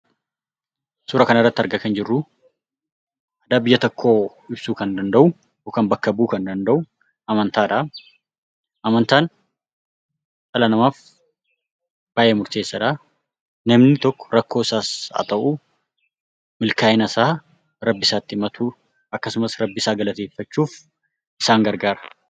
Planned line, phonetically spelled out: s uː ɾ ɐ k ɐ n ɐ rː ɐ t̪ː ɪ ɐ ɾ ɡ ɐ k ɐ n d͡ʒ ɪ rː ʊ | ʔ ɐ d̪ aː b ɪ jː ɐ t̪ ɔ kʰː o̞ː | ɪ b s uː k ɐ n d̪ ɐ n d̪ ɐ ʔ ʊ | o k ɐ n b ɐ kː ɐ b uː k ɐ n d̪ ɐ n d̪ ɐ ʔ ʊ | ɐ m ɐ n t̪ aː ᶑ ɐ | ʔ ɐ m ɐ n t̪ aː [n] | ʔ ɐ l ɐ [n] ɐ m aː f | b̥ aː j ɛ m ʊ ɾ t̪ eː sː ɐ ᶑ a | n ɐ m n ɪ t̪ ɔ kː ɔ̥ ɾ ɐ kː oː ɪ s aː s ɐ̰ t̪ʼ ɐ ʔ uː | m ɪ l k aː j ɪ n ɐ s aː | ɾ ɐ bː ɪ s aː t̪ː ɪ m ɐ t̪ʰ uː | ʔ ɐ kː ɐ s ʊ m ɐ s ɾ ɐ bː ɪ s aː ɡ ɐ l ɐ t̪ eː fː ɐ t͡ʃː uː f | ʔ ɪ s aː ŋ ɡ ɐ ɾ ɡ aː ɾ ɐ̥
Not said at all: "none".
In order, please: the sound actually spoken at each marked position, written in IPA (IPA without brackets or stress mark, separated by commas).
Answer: n, n